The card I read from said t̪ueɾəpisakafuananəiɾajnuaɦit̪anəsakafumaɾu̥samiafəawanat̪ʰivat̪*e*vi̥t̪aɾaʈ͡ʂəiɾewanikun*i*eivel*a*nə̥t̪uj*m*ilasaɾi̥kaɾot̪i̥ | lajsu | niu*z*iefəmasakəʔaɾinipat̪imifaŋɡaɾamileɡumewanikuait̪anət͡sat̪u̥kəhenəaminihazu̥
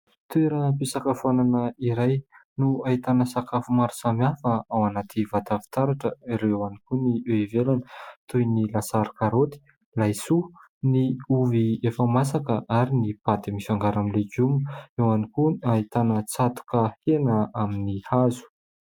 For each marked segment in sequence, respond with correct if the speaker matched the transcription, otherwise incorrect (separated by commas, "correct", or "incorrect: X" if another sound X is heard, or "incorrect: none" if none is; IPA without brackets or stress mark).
incorrect: a, correct, correct, incorrect: n, incorrect: v